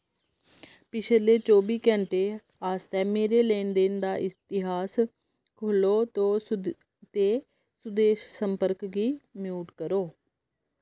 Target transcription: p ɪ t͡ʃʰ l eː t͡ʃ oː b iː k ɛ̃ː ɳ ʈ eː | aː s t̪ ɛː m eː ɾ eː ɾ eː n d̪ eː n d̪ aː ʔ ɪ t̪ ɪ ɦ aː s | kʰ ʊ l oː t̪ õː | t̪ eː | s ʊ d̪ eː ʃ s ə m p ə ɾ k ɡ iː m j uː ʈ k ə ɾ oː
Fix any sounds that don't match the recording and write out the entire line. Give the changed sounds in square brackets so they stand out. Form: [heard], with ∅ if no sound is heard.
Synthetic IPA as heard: p ɪ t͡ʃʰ l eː t͡ʃ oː b iː k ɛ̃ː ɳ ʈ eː | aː s t̪ ɛː m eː ɾ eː [l] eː n d̪ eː n d̪ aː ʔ ɪ t̪ ɪ ɦ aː s | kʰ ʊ l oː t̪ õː | t̪ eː | s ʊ d̪ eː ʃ s ə m p ə ɾ k ɡ iː m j uː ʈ k ə ɾ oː